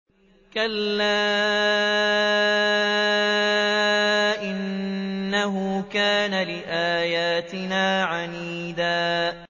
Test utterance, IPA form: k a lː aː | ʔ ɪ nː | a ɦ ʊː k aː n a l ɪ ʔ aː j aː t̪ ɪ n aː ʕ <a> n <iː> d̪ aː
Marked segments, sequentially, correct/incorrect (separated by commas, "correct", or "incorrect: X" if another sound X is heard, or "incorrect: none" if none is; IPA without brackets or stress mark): correct, correct